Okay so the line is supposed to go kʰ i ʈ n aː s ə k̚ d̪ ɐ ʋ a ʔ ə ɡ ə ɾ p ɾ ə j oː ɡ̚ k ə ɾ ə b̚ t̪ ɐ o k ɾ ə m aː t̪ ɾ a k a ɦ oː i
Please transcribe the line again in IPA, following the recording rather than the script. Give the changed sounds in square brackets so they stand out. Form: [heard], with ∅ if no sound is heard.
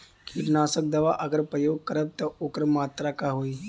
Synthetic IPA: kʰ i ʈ n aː s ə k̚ d̪ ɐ ʋ a ʔ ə ɡ ə ɾ p ɾ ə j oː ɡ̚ k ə ɾ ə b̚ t̪ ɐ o k ɾ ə m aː t̪ ɾ a k a ɦ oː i